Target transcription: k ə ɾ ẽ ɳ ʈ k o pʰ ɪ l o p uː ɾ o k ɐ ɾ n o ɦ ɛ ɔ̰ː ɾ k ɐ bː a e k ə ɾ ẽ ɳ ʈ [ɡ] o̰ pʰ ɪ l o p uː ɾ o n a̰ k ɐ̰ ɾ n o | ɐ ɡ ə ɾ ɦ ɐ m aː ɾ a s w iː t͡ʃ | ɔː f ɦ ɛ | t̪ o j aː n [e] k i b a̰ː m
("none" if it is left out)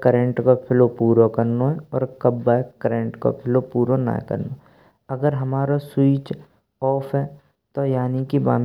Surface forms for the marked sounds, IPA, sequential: k, i

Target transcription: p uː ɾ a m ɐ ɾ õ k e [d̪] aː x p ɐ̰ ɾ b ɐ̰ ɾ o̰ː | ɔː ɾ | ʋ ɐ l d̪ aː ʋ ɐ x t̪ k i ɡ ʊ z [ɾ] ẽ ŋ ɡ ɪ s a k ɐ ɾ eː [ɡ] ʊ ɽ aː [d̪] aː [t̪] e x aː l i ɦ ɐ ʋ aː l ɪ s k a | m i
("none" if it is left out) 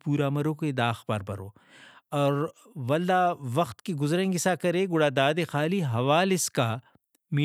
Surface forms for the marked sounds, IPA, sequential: d̪, ɾ, ɡ, d̪, d̪

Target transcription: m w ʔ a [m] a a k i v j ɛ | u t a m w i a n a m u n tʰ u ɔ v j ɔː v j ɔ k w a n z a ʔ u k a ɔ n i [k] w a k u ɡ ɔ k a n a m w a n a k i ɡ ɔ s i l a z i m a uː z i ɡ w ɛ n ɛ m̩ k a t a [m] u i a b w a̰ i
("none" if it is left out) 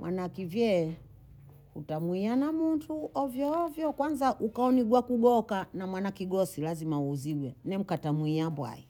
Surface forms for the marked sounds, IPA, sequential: n, ɡ, m

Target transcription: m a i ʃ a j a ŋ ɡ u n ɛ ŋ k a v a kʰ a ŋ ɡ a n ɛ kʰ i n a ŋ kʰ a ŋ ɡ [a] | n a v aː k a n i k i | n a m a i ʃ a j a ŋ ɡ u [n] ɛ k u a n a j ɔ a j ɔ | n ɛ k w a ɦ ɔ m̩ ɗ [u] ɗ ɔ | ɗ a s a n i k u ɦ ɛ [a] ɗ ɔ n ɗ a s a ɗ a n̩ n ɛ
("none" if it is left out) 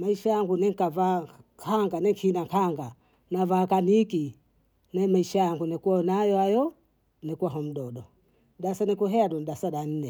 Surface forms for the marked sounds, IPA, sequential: a, n, ɔ, a

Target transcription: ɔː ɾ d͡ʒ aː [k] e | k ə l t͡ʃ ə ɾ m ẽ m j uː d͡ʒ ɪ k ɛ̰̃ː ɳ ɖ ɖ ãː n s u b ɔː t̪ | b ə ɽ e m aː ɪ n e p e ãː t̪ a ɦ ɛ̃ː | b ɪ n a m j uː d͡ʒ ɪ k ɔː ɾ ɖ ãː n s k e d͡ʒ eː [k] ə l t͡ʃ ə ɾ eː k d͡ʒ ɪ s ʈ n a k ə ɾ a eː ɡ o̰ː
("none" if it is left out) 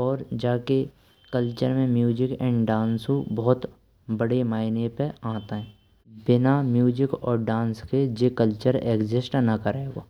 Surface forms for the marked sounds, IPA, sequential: k, k

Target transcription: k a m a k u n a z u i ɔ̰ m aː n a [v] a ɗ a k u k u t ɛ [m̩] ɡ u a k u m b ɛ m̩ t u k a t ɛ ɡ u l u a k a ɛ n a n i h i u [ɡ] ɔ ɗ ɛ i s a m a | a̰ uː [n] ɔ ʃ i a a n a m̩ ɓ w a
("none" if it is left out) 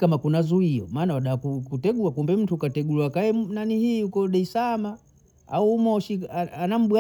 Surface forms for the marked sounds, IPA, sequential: w, none, k, m

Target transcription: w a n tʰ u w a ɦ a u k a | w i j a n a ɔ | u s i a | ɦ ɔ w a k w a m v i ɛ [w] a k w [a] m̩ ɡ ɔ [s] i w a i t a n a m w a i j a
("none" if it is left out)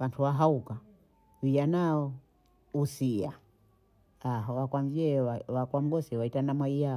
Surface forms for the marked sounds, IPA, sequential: w, a, s

